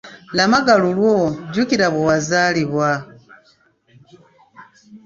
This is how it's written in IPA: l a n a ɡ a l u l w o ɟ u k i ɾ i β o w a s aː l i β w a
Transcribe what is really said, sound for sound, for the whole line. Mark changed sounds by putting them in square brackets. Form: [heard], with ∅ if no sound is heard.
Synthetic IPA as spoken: l a [m] a ɡ a l u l w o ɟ u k i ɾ [a] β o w a [z] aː l i β w a